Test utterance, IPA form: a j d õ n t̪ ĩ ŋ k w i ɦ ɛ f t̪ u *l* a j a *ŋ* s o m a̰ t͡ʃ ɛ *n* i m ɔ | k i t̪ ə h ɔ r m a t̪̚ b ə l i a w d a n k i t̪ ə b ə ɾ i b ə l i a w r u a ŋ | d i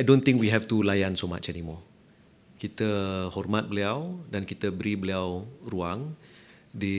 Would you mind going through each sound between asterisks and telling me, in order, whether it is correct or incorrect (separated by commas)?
correct, incorrect, correct